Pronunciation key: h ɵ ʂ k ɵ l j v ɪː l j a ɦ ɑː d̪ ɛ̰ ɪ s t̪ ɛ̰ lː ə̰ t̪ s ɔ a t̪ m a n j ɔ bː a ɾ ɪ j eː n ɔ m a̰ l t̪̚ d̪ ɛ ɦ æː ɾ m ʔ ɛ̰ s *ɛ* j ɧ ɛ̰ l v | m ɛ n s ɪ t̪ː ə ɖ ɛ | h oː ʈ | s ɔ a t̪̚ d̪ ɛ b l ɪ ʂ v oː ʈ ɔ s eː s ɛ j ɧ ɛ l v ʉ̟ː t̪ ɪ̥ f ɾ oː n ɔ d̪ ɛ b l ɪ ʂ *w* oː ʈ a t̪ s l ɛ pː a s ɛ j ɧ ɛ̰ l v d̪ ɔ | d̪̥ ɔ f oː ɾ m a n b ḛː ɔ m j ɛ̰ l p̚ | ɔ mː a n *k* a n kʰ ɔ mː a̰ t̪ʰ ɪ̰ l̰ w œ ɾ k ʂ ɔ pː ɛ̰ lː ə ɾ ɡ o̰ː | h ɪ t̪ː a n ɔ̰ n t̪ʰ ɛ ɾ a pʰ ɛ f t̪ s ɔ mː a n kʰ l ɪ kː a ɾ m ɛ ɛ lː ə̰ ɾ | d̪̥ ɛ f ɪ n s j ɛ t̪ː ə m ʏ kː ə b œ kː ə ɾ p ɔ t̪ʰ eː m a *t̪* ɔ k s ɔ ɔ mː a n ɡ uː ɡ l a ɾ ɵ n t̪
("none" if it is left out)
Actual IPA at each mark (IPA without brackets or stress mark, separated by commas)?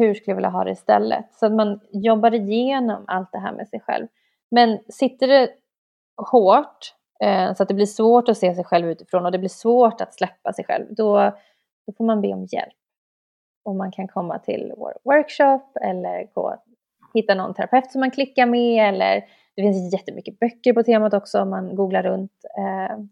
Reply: ɛ, v, kʰ, t̪